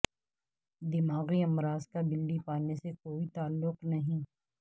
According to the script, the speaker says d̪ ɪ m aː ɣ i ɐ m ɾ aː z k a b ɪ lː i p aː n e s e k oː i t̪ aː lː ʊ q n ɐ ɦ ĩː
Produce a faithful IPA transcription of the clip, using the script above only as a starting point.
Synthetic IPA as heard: d̪ ɪ m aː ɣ i ɐ m ɾ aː z k a b ɪ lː i p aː n e s e k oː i t̪ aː lː ʊ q n ɐ ɦ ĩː